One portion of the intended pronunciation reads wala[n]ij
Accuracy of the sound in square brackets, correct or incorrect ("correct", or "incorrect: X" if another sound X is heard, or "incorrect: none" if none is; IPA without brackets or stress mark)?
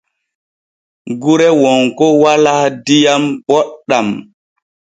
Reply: incorrect: d